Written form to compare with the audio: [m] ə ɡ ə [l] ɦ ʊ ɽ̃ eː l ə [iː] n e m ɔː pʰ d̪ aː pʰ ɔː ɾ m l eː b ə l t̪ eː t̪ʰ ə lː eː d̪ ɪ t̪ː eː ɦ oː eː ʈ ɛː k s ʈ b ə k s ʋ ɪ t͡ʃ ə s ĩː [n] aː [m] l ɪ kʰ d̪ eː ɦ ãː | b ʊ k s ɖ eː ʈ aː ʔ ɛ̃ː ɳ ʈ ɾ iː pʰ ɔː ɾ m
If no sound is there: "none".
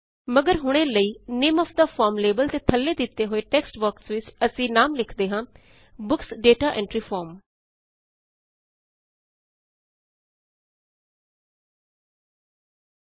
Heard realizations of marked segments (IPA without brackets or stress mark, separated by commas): m, ɾ, iː, n, m